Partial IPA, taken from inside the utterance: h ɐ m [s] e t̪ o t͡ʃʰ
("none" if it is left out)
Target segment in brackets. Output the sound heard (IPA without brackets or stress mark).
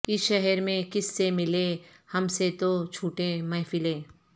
s